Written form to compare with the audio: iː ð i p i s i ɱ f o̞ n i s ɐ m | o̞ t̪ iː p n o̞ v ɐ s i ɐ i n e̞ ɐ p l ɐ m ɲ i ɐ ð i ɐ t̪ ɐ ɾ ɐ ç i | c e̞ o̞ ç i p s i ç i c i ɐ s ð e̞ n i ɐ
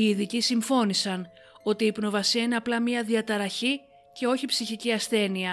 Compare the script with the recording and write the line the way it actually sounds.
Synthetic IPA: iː ð i c i s i ɱ f o̞ n i s ɐ n | o̞ t̪ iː p n o̞ v ɐ s i ɐ i n e̞ ɐ p l ɐ m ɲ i ɐ ð i ɐ t̪ ɐ ɾ ɐ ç i | c e̞ o̞ ç i p s i ç i c i ɐ s θ e̞ n i ɐ